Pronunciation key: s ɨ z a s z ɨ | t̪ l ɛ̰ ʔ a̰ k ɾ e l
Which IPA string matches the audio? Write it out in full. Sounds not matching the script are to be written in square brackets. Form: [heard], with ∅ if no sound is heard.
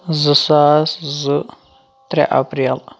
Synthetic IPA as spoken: [z] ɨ [s] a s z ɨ | t̪ [ɾ] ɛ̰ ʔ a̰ [p] ɾ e l